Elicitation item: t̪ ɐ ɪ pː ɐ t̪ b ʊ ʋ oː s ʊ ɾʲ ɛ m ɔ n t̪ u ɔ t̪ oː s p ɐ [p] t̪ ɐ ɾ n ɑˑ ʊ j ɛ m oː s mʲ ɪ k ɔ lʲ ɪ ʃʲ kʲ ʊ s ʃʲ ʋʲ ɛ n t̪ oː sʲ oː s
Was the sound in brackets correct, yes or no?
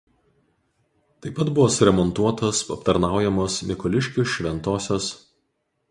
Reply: yes